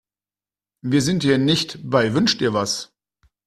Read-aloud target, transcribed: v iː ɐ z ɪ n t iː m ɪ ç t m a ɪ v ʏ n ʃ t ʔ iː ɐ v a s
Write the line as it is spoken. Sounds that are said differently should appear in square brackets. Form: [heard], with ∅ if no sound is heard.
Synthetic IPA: v iː ɐ z ɪ n t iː [n] ɪ ç t [b] a ɪ v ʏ n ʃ t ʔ iː ɐ v a s